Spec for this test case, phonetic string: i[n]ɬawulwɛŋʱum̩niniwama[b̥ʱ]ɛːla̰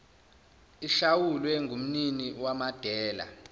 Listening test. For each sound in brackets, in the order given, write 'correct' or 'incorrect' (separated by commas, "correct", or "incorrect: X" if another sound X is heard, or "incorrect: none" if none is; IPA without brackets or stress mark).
incorrect: none, incorrect: d̥ʱ